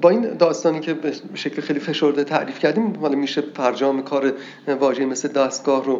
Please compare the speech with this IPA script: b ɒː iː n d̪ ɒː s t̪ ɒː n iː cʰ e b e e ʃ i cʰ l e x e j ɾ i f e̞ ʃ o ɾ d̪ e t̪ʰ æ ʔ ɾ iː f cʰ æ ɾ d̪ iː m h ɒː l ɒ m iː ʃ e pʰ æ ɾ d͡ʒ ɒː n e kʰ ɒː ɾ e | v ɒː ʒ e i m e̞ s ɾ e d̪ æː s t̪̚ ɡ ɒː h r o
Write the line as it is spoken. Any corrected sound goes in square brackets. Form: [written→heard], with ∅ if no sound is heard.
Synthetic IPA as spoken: b ɒː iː n d̪ ɒː s t̪ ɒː n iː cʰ e b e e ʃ [i→e] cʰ l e x e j [ɾ→l] i f e̞ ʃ o ɾ d̪ e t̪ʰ æ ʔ ɾ iː f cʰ æ ɾ d̪ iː m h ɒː l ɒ m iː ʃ e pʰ æ ɾ d͡ʒ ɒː [n→m] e kʰ ɒː ɾ e | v ɒː ʒ e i m e̞ s [ɾ→l] e d̪ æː s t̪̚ ɡ ɒː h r o